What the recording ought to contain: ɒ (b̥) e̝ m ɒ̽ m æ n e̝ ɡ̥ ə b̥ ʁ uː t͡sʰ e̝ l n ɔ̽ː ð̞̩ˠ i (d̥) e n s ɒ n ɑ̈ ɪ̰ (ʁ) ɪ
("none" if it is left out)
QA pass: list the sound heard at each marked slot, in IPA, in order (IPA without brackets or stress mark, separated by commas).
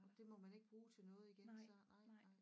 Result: d̥, ɡ̥, none